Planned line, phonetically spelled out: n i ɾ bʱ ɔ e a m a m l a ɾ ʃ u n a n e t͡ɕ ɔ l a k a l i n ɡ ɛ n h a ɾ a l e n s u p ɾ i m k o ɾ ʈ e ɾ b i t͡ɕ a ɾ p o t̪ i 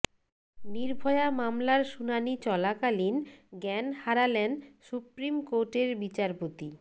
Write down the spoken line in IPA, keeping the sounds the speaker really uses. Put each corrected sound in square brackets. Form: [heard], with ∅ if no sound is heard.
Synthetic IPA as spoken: n i ɾ bʱ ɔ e a m a m l a ɾ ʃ u n a n [i] t͡ɕ ɔ l a k a l i n ɡ ɛ n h a ɾ a l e n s u p ɾ i m k o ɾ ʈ e ɾ b i t͡ɕ a ɾ p o t̪ i